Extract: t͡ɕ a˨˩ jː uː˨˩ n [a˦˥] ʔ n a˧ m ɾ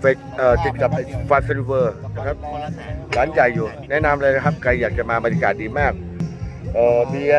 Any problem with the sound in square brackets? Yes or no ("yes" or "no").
yes